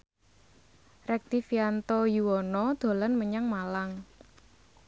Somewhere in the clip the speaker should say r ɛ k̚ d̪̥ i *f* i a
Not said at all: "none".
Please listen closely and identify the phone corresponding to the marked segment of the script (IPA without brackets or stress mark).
f